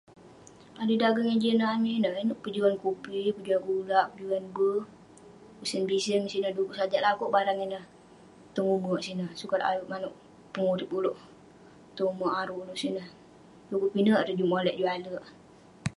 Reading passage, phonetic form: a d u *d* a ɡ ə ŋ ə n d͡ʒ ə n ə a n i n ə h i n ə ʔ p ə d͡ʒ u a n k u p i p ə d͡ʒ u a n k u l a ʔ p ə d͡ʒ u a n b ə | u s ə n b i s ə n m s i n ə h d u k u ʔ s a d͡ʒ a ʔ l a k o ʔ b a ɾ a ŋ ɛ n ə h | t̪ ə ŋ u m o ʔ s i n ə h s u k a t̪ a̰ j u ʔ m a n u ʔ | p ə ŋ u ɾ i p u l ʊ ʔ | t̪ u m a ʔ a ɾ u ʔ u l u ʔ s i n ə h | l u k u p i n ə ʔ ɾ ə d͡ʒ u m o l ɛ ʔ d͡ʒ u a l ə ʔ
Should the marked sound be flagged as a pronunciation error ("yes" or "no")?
no